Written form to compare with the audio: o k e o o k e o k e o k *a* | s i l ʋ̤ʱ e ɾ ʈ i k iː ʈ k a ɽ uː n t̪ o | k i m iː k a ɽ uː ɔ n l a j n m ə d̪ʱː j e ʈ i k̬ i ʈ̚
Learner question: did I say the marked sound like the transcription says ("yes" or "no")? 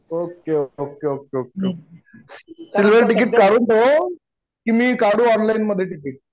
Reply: no